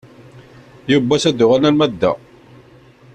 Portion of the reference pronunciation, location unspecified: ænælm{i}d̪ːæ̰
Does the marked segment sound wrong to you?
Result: yes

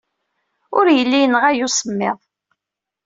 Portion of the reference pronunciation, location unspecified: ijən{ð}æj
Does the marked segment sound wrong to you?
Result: yes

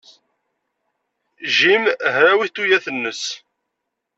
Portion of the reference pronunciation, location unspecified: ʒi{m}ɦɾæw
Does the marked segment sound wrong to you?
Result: no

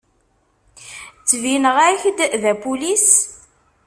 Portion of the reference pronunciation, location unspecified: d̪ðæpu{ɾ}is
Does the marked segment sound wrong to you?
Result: yes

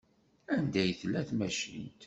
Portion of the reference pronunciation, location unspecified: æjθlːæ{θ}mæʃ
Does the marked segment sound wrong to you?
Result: no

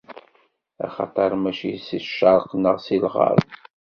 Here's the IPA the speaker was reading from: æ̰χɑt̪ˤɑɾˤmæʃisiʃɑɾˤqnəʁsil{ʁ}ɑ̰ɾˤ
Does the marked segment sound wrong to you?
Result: no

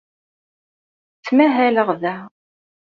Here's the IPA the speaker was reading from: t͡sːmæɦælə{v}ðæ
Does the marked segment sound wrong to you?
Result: yes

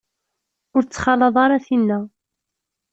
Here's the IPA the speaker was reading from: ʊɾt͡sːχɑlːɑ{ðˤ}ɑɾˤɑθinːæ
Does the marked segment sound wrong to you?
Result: no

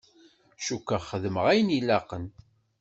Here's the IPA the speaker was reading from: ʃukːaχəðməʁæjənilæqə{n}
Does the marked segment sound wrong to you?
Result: no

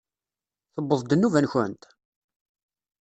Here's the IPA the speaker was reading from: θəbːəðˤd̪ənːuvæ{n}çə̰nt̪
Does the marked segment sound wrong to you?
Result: no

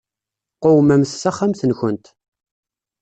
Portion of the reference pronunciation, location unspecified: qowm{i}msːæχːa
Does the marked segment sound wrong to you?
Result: yes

